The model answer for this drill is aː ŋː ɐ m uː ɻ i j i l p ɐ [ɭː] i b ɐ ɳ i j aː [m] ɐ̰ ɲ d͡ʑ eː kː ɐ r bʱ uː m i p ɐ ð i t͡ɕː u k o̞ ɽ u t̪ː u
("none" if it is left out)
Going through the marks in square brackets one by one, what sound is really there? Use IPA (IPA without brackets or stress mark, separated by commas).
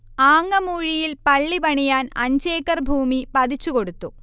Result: ɭː, n